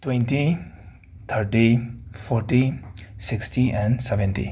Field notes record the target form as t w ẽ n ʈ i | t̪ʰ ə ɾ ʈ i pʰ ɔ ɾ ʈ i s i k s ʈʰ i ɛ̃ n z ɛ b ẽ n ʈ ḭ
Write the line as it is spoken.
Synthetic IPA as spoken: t w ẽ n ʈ i | t̪ʰ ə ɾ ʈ i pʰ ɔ ɾ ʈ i s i k s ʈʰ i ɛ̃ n s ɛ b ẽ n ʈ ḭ